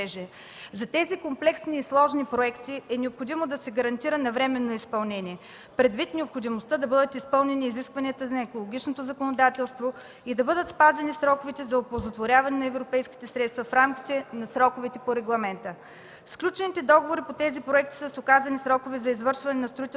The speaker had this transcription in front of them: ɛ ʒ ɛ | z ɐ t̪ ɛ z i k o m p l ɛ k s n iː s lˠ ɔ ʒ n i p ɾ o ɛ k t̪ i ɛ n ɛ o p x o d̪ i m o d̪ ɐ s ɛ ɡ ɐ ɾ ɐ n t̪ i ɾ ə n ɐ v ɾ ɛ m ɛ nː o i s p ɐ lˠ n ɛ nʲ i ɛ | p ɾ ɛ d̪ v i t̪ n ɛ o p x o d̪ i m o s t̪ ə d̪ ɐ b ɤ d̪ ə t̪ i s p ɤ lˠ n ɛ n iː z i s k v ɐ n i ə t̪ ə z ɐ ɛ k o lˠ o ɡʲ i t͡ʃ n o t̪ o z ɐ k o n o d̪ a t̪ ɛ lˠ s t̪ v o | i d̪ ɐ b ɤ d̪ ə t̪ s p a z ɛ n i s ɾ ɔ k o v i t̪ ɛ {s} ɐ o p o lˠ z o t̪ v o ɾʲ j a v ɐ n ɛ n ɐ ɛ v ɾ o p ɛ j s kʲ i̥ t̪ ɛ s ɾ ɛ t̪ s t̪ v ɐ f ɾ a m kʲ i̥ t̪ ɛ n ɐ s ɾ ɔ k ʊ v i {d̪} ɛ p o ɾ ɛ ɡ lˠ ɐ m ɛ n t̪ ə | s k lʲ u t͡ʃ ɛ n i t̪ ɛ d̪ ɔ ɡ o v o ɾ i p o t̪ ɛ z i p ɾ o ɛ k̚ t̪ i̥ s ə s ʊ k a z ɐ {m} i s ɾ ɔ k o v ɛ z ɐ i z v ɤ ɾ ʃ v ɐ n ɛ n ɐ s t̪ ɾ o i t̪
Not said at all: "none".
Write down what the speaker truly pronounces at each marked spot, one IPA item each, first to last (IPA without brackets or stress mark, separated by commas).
z, t̪, n